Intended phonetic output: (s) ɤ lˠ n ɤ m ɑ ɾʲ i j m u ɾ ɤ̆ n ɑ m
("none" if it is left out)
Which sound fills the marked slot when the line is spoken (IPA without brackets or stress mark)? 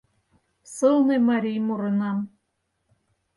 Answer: s